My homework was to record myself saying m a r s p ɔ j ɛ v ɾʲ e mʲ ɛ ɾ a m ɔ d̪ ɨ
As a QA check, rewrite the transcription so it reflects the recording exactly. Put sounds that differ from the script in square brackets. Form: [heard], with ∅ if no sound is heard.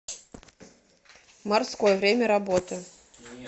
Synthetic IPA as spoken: m a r s [k] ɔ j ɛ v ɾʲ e mʲ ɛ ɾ a [b] ɔ [t̪] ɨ